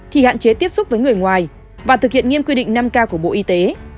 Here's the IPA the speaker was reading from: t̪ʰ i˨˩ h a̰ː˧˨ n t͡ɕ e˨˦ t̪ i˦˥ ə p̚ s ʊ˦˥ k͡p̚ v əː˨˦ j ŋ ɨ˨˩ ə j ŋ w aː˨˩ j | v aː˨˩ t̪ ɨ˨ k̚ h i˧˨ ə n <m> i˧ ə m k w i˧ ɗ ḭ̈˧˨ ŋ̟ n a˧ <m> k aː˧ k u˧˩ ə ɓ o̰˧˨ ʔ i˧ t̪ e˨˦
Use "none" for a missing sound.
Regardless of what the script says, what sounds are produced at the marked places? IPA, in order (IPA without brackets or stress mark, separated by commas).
ŋ, m